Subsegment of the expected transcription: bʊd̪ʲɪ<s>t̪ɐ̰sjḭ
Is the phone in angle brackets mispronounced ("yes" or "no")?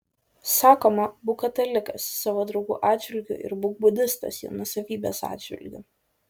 no